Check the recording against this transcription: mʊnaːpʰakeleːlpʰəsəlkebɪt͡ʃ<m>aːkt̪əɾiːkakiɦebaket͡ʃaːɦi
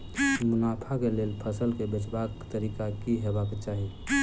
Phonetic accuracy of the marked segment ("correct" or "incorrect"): incorrect